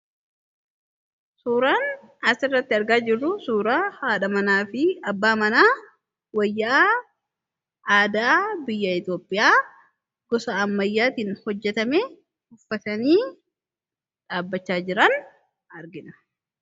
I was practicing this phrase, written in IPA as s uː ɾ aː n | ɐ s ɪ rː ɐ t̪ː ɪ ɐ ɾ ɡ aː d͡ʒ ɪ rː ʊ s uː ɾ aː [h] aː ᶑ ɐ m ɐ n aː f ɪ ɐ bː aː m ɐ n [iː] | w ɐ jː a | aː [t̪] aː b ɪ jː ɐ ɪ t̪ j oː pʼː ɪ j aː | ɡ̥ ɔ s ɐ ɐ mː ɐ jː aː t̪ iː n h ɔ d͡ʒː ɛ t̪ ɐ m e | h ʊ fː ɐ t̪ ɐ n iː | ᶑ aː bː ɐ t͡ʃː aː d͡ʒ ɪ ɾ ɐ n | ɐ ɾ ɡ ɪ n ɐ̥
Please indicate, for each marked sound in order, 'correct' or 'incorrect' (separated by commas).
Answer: correct, incorrect, incorrect